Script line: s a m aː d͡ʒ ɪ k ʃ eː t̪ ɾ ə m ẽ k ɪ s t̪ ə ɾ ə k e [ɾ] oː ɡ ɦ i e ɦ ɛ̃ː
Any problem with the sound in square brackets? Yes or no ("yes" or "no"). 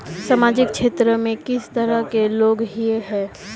yes